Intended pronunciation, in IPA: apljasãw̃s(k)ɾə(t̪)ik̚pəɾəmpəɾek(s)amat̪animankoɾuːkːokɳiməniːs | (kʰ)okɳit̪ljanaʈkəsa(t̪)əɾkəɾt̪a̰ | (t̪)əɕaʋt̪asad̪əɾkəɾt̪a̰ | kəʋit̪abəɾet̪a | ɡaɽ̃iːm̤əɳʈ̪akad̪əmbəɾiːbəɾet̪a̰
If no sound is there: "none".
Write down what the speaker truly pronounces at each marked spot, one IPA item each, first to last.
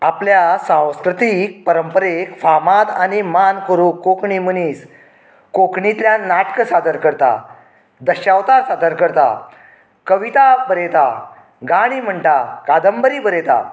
k, t̪, f, k, d̪, d̪

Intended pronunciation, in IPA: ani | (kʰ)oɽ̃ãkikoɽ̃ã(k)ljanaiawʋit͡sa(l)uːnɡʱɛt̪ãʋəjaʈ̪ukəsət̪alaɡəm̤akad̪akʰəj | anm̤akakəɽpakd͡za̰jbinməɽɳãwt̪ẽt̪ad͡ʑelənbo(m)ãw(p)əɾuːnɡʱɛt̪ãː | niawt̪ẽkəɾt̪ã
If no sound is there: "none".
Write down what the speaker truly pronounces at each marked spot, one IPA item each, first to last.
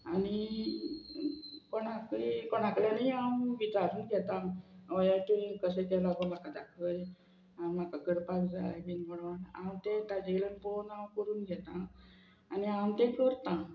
k, k, ɾ, n, k

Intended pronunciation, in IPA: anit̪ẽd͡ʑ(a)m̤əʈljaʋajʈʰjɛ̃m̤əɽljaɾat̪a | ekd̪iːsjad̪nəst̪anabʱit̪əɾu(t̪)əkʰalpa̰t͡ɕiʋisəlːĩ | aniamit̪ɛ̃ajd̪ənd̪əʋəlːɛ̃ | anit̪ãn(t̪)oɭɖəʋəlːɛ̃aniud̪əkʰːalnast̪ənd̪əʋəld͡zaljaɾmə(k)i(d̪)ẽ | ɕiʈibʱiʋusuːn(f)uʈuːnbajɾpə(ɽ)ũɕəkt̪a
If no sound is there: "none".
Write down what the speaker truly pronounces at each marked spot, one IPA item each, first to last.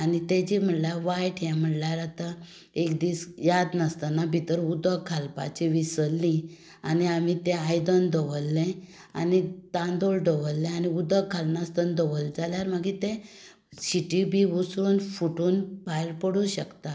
i, d̪, d̪, ɡ, t̪, f, ɽ

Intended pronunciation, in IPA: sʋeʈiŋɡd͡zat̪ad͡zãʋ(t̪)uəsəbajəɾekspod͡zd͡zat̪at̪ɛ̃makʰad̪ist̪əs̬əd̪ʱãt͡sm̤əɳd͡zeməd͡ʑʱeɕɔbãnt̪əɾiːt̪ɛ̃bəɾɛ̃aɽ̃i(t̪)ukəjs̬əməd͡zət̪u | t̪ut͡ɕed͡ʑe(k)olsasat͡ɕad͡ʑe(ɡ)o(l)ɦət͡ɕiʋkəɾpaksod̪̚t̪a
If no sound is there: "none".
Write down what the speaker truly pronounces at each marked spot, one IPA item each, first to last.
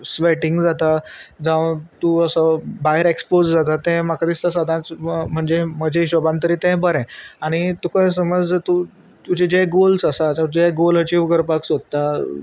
t̪, t̪, ɡ, ɡ, l

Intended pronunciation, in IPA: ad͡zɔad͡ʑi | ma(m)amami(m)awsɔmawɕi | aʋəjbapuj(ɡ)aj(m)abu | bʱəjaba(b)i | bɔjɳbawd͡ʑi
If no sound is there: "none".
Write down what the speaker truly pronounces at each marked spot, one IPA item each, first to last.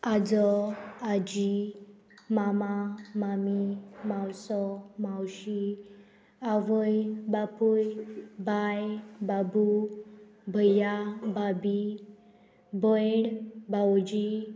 m, m, b, b, b

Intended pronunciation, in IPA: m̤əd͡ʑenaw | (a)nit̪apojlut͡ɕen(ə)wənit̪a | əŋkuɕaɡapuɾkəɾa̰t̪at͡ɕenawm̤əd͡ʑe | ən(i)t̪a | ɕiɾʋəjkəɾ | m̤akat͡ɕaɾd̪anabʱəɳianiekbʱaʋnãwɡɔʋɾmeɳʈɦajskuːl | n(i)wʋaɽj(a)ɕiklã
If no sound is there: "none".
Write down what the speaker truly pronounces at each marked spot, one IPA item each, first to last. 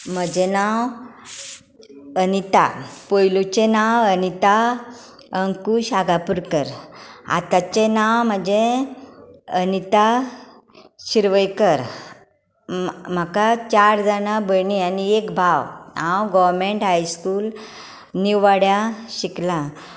ə, a, i, i, a

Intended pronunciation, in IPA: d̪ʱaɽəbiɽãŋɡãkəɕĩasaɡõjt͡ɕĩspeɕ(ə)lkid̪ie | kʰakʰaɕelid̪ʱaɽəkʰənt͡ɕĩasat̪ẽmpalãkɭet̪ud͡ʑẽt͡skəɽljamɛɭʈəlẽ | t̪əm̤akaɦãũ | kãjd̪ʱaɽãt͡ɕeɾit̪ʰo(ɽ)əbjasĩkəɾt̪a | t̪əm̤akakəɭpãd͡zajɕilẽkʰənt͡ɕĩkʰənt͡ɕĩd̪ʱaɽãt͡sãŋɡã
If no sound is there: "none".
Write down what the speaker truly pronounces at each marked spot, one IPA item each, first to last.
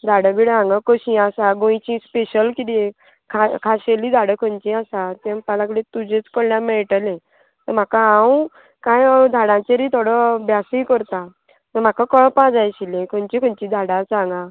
ə, ɽ

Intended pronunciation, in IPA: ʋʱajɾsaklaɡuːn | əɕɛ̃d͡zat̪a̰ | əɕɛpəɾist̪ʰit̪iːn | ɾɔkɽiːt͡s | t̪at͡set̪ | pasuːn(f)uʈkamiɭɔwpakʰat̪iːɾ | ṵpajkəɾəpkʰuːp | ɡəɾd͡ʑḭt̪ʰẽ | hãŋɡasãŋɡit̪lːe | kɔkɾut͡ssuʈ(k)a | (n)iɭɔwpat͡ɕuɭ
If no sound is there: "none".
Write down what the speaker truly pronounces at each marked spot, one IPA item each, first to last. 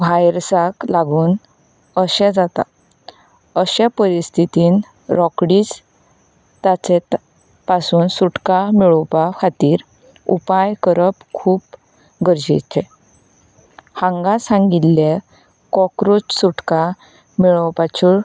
s, k, m

